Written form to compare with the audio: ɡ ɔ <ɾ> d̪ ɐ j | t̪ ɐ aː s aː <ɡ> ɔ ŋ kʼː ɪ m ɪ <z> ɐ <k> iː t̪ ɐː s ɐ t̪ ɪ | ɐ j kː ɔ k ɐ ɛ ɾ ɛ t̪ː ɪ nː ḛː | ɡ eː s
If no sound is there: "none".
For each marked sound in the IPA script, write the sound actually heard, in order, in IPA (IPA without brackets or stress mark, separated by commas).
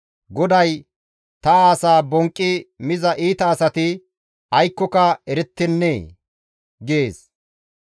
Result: none, b, z, ʔ